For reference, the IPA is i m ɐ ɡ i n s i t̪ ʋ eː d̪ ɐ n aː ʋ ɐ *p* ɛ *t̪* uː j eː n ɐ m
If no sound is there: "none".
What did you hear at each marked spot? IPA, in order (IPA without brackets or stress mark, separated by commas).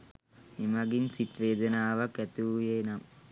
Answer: k, t̪